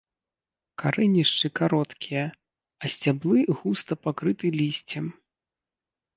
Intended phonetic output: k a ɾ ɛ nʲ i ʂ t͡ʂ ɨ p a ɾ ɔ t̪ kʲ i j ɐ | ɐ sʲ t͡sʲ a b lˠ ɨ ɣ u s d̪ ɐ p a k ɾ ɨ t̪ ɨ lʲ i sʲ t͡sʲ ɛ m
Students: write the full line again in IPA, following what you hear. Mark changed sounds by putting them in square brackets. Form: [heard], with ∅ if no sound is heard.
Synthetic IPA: k a ɾ ɛ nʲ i ʂ t͡ʂ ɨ [k] a ɾ ɔ t̪ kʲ i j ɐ | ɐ sʲ t͡sʲ a b lˠ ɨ ɣ u s [t̪] ɐ p a k ɾ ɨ t̪ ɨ lʲ i sʲ t͡sʲ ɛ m